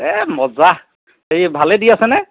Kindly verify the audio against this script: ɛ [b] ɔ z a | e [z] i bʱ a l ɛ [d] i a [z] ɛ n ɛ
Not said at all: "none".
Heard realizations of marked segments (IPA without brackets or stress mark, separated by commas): m, none, d, s